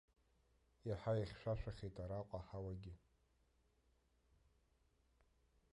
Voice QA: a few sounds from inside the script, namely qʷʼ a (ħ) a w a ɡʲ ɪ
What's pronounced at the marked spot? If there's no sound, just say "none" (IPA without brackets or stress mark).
ħ